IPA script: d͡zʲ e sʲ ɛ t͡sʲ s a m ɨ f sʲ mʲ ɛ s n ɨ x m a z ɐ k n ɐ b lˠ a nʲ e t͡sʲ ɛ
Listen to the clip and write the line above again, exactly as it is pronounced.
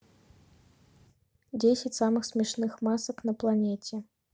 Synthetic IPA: d͡zʲ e sʲ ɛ t͡sʲ s a m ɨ x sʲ mʲ ɛ ʂ n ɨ x m a s ɐ k n ɐ p lˠ a nʲ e t͡sʲ ɛ